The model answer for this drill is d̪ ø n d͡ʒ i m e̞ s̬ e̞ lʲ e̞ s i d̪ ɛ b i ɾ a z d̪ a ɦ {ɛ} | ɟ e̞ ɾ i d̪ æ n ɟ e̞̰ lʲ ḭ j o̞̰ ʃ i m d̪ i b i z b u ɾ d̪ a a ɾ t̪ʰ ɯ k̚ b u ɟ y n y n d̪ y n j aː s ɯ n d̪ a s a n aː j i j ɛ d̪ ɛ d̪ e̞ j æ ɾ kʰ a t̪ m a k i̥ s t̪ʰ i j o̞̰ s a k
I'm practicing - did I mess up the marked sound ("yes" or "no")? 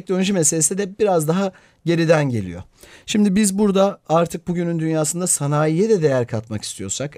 yes